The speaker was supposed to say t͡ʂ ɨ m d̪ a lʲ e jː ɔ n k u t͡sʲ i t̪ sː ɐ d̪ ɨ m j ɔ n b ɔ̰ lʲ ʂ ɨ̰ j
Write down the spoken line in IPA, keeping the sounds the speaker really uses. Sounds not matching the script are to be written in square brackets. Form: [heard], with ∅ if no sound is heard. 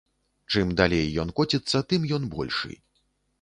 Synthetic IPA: t͡ʂ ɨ m d̪ a lʲ e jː ɔ n k [ɔ] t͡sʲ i t̪ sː ɐ [t̪] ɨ m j ɔ n b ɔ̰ lʲ ʂ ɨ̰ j